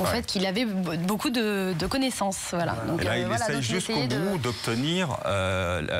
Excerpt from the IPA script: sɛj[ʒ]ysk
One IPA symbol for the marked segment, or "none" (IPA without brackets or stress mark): ʒ